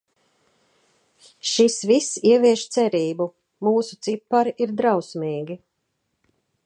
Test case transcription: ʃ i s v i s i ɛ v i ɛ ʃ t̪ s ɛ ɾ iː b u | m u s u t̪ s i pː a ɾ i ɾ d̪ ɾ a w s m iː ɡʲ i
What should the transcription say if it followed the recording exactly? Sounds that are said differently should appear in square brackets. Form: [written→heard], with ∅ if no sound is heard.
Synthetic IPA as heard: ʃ i s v i s i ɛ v i ɛ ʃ t̪ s ɛ ɾ iː b u | m [u→uː] s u t̪ s i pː a ɾ i ɾ d̪ ɾ a w s m iː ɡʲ i